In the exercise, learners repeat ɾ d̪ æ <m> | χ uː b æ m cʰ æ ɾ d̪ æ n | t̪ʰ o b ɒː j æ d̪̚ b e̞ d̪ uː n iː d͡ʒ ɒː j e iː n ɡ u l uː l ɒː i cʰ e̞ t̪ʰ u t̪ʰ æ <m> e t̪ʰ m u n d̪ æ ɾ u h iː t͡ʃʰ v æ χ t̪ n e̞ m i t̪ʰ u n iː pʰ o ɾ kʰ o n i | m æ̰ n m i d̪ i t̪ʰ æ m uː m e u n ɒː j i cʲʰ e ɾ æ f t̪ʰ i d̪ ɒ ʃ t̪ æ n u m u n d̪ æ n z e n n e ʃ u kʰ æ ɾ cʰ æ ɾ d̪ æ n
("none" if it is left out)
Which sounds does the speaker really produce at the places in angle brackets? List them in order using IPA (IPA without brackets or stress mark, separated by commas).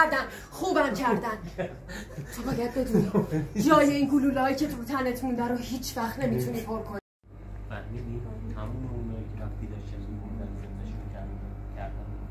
n, n